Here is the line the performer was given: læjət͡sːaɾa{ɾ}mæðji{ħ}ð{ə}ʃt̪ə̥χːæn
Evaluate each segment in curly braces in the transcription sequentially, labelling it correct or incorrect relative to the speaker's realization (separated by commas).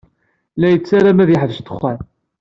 incorrect, correct, correct